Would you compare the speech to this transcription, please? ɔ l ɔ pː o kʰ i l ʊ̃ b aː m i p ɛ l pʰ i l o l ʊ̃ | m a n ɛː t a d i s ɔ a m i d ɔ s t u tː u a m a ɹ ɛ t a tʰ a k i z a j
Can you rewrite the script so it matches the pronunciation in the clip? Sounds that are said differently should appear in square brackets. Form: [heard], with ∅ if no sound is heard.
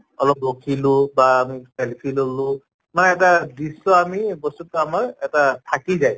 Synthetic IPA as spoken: ɔ l ɔ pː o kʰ i l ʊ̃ b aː m i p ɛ l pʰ i l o l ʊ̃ | m a n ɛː t a d i s ɔ a m i [b] ɔ s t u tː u a m a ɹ ɛ t a tʰ a k i z a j